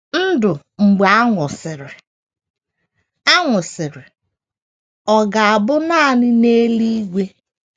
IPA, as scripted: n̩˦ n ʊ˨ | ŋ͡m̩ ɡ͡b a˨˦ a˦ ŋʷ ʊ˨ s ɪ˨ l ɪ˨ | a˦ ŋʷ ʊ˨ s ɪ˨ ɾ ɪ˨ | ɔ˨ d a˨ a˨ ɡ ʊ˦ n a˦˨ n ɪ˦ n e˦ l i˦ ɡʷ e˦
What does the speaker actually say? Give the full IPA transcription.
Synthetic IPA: n̩˦ d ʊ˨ | ŋ͡m̩ ɡ͡b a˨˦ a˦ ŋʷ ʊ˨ s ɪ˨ ɾ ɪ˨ | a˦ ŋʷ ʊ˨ s ɪ˨ ɾ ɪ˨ | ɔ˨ ɡ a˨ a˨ b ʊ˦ n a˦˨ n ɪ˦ n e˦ l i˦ ɡʷ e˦